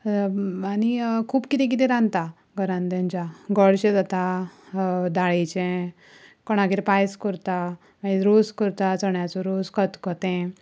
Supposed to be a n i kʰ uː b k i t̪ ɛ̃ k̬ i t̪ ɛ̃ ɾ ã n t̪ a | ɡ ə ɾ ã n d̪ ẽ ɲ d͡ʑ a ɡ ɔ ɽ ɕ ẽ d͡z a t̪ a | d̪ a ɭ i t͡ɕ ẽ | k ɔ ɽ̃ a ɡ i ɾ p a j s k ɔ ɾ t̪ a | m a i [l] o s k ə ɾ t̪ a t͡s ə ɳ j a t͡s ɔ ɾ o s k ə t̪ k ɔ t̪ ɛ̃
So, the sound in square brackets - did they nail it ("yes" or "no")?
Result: no